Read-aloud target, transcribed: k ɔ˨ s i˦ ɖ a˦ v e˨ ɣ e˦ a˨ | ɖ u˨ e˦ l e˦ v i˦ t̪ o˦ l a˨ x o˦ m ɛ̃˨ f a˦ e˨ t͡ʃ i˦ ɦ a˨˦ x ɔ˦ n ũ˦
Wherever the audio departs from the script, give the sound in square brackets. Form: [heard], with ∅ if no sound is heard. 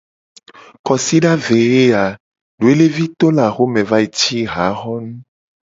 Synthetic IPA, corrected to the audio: k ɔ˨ s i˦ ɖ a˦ v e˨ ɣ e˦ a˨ | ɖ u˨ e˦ l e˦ v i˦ t̪ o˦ l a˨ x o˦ m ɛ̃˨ [v] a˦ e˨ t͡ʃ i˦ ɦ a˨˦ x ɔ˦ n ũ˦